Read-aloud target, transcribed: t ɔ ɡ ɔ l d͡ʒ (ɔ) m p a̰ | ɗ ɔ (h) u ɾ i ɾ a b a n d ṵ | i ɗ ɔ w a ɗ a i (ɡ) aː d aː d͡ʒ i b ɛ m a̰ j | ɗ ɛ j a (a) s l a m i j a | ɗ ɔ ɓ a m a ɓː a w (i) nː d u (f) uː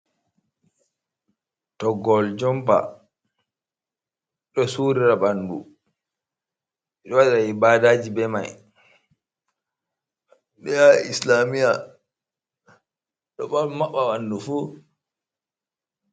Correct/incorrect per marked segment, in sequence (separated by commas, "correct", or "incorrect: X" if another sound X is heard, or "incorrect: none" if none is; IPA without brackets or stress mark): correct, incorrect: s, incorrect: b, incorrect: i, incorrect: a, correct